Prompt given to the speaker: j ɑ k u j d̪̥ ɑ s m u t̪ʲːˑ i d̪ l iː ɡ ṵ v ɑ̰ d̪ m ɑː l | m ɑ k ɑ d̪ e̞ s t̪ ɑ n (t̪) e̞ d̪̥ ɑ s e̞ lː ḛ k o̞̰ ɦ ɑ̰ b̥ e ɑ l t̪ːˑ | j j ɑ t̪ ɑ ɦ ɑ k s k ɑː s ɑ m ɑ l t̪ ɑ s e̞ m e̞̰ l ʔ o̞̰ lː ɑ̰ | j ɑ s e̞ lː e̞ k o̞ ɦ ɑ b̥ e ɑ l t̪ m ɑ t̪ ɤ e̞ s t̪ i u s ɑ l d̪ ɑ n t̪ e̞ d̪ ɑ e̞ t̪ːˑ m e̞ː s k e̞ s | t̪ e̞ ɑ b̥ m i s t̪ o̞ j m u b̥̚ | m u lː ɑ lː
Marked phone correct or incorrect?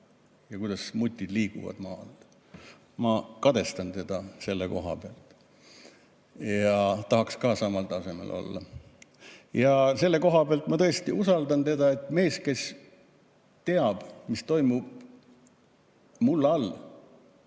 correct